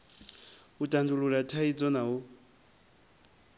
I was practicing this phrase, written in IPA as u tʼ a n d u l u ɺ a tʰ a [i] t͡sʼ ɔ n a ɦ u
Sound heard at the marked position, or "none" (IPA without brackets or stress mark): i